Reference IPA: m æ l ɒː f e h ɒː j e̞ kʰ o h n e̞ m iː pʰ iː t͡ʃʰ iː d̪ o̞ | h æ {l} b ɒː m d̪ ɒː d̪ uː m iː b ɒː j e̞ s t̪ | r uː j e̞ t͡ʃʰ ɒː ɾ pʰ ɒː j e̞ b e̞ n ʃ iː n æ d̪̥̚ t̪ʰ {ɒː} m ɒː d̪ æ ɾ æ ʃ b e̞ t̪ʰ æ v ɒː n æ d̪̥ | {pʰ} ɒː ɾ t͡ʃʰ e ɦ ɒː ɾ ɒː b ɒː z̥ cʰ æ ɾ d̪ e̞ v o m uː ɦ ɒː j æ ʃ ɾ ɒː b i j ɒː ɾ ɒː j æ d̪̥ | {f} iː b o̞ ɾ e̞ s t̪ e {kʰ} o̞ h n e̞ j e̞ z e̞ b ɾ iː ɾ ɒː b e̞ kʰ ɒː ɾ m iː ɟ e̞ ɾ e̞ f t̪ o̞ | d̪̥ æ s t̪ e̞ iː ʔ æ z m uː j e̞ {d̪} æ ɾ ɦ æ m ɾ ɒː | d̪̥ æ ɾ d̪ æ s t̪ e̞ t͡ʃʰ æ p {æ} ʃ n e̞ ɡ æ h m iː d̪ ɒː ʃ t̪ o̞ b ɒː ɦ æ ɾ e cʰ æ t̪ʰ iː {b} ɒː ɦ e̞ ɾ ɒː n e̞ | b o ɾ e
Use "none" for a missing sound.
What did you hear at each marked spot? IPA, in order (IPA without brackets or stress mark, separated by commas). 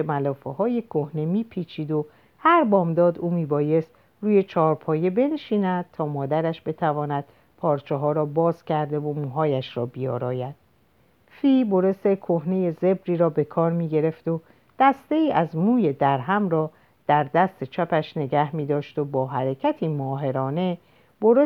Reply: ɾ, ɒː, pʰ, f, kʰ, d̪, æ, m